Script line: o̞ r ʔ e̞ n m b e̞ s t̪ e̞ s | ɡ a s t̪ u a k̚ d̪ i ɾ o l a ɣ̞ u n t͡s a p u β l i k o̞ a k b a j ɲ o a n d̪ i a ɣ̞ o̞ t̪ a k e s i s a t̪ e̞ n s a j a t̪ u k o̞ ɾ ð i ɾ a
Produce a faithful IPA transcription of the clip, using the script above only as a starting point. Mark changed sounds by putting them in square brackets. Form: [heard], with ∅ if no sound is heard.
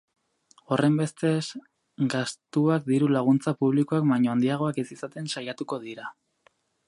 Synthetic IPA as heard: o̞ r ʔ e̞ [∅] m b e̞ s t̪ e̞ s | ɡ a s t̪ u a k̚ d̪ i ɾ [u] l a ɣ̞ u n t͡s a p u β l i k o̞ a k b a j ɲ o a n d̪ i a ɣ̞ o̞ [∅] a k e s i s a t̪ e̞ n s a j a t̪ u k o̞ [∅] ð i ɾ a

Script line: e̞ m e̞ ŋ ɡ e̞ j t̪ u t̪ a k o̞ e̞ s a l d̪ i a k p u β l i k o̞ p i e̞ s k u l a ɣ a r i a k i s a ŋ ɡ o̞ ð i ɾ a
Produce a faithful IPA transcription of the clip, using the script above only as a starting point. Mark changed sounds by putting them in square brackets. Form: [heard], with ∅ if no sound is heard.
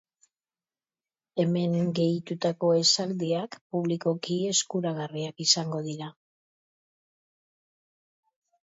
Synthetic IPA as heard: e̞ m e̞ ŋ ɡ e̞ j t̪ u t̪ a k o̞ e̞ s a l d̪ i a k p u β l i k o̞ [k] i e̞ s k u [ɾ] a ɣ a r i a k i s a ŋ ɡ o̞ ð i ɾ a

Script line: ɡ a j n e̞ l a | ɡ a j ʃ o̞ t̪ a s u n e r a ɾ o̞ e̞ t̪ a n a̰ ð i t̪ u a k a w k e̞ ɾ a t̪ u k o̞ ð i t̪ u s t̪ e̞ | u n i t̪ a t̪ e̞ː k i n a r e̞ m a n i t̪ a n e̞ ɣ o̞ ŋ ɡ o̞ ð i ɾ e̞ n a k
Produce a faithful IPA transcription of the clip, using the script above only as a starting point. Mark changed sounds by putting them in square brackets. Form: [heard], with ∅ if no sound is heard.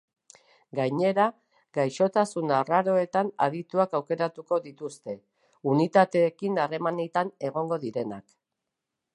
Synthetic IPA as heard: ɡ a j [ɲ] e̞ [ɾ] a | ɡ a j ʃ o̞ t̪ a s u n [a] r a ɾ o̞ e̞ t̪ a n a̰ ð i t̪ u a k a w k e̞ ɾ a t̪ u k o̞ ð i t̪ u s t̪ e̞ | u n i t̪ a t̪ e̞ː k i n a r e̞ m a n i t̪ a n e̞ ɣ o̞ ŋ ɡ o̞ ð i ɾ e̞ n a k

